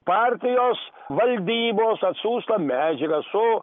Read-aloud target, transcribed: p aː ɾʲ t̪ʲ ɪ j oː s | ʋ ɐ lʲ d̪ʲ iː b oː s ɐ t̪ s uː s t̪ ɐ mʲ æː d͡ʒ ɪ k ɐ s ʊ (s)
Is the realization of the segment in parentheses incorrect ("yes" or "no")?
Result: yes